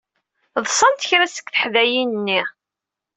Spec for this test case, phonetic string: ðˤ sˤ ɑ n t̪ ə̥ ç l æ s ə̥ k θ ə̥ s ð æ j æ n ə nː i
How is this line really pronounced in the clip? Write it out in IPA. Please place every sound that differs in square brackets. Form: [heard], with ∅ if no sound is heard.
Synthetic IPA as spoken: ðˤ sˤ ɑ n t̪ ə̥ ç [ɾ] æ s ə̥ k θ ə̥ [ħ] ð æ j [i] n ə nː i